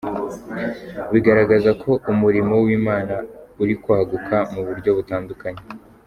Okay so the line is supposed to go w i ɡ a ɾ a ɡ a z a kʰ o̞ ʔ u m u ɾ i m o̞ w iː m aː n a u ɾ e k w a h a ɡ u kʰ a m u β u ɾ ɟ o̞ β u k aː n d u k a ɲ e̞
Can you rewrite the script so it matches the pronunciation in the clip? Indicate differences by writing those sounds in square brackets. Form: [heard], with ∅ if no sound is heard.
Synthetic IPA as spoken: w i ɡ a ɾ a ɡ a z a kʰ o̞ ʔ u m u ɾ i m o̞ w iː m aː n a u ɾ [i] k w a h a ɡ u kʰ a m u β u ɾ ɟ o̞ β u [t] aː n d u k a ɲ e̞